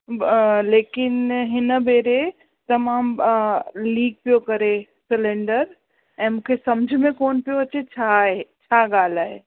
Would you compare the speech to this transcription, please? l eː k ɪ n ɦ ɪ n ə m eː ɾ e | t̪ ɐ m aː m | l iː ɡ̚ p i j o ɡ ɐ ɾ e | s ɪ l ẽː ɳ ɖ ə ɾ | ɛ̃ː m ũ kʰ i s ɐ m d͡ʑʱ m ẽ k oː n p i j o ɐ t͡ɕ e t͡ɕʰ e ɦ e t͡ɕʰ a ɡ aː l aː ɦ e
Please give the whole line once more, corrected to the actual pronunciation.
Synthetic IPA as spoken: l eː k ɪ n ɦ ɪ n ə b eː ɾ e | t̪ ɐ m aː m | l iː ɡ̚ p i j o k ɐ ɾ e | s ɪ l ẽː ɳ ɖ ə ɾ | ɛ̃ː m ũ kʰ e s ɐ m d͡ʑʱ m ẽ k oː n p i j o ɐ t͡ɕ e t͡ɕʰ a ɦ e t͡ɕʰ a ɡ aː l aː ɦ e